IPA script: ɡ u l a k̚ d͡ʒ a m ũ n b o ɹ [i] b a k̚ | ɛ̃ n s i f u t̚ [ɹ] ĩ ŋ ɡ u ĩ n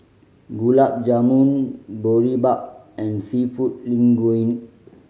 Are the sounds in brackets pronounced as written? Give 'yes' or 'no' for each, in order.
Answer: yes, no

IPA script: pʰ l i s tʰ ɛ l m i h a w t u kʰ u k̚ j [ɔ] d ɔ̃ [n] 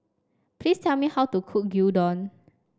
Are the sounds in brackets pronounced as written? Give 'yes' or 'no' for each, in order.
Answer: no, yes

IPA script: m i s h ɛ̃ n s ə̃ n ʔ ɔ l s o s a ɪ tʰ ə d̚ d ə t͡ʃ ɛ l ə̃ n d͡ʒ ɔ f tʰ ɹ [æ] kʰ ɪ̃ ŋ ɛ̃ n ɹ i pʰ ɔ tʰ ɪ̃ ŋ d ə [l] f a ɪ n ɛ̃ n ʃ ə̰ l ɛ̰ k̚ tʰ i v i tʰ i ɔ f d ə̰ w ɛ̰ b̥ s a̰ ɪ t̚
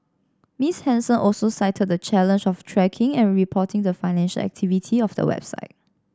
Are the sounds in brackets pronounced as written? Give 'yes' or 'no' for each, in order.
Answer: no, no

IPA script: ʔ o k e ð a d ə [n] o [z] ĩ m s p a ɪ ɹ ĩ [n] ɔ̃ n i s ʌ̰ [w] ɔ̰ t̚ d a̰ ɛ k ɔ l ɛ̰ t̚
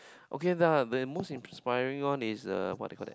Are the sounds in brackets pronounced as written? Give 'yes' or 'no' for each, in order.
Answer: no, no, no, yes

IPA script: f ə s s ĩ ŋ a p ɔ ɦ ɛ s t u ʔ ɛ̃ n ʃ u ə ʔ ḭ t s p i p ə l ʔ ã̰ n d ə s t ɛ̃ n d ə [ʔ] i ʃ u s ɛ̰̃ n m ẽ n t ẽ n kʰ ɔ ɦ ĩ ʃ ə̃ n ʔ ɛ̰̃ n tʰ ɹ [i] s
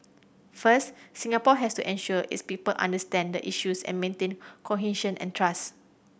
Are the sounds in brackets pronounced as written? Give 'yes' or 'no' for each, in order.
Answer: yes, no

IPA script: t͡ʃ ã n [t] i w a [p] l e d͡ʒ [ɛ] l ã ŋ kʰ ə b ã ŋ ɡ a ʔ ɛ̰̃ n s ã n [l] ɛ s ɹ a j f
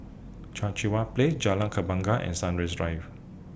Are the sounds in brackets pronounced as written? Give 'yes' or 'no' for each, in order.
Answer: no, yes, no, no

